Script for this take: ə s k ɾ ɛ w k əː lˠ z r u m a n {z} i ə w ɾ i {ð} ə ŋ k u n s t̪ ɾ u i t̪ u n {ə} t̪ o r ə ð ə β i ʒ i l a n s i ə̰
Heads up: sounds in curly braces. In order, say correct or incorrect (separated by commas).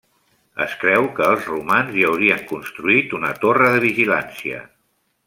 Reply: correct, incorrect, correct